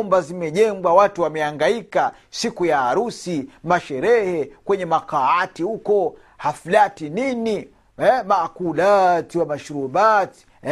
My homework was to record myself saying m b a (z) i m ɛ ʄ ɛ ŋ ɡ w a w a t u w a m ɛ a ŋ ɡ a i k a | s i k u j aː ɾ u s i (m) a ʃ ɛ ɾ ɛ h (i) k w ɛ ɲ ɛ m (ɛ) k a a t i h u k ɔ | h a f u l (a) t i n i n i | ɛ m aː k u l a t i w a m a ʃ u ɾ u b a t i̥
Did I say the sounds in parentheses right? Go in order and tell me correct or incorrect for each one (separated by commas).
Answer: correct, correct, incorrect, incorrect, correct